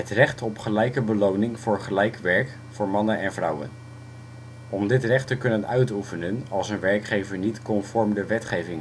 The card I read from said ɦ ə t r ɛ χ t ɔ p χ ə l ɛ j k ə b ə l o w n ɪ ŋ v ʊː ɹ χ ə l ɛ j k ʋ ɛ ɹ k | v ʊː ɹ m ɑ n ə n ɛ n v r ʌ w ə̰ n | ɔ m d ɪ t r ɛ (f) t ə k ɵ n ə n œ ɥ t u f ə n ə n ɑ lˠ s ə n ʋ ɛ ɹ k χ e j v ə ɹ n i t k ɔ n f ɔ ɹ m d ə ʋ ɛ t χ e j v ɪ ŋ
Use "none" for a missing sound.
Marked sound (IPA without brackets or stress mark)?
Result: χ